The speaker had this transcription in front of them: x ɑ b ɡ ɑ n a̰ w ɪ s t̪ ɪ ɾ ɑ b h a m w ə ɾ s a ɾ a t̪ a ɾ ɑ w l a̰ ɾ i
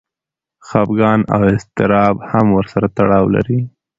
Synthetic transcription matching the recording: x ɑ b ɡ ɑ n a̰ w ɪ s t̪ ɪ ɾ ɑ b h a m w ə ɾ s a ɾ a t̪ a ɽ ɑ w l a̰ ɾ i